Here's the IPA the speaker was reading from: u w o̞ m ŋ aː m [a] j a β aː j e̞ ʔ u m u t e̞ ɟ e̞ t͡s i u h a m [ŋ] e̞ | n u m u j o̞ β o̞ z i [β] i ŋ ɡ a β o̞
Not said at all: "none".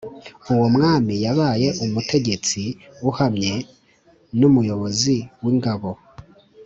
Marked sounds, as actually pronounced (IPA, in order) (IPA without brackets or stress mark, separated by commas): i, ɲ, w